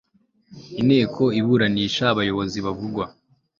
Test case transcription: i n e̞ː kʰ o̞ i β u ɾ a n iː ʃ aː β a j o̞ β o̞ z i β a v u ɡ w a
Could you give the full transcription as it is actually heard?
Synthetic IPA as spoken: i n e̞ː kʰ o̞ i β u ɾ a n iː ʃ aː β a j o̞ β o̞ z i β a v u ɡ w a